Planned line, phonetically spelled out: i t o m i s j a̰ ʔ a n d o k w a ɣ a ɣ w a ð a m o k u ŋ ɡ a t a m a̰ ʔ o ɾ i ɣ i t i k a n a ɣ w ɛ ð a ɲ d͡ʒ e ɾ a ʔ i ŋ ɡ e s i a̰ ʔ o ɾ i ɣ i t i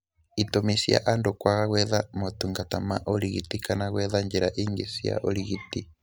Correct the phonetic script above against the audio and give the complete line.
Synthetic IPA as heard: i t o m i s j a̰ ʔ a n d o k w a ɣ a ɣ w ɛ ð a m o t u ŋ ɡ a t a m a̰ ʔ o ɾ i ɣ i t i k a n a ɣ w ɛ ð a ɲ d͡ʒ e ɾ a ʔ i ŋ ɡ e s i a̰ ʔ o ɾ i ɣ i t i